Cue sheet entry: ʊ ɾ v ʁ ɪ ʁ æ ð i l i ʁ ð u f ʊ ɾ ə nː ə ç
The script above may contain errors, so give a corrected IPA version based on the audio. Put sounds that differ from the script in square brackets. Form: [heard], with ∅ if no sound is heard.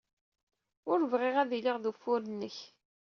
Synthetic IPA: ʊ ɾ v ʁ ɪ ʁ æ ð i l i ʁ ð u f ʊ ɾ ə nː ə ç